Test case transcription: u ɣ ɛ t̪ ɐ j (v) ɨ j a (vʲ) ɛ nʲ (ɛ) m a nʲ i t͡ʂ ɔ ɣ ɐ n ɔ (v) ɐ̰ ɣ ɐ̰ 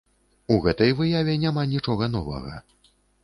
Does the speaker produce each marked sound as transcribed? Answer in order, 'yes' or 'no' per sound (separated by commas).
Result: yes, yes, no, yes